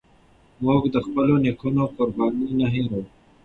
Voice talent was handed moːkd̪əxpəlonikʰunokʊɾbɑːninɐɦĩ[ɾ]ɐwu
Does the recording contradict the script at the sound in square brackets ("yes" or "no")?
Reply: no